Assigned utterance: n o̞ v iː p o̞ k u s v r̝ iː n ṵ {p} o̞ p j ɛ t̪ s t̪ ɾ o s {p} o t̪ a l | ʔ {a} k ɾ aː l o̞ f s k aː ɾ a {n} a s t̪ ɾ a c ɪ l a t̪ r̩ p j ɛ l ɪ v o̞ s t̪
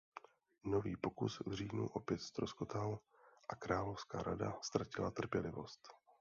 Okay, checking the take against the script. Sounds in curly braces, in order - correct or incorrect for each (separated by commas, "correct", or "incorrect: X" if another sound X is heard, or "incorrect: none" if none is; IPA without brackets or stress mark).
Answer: incorrect: ʔ, incorrect: k, correct, incorrect: d